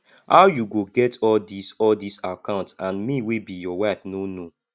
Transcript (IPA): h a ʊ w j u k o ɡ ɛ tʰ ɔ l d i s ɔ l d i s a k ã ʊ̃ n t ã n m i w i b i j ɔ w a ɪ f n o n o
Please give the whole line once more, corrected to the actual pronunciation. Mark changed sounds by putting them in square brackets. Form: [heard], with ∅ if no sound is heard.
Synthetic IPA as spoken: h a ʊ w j u [ɡ] o ɡ ɛ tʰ ɔ l d i s ɔ l d i s a k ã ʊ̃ n t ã n m i w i b i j ɔ w a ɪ f n o n o